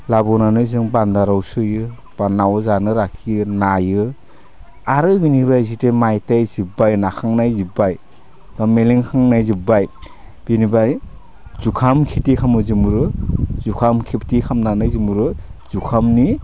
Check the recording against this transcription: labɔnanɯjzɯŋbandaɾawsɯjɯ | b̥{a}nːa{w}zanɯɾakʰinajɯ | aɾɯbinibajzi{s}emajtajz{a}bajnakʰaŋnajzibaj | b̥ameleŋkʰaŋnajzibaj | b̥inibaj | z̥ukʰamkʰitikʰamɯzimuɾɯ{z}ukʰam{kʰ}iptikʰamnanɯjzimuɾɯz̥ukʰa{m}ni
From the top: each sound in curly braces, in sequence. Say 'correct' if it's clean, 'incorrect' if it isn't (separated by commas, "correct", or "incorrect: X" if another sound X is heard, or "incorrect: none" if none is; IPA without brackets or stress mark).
correct, correct, incorrect: t, incorrect: i, correct, correct, correct